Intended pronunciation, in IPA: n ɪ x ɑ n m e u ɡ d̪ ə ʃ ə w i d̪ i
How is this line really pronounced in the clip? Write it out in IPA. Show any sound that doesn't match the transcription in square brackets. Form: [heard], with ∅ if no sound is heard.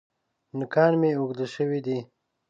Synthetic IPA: n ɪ [k] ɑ n m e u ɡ d̪ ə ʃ ə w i d̪ i